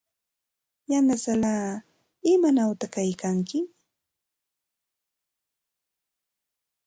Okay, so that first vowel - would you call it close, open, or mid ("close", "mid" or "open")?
open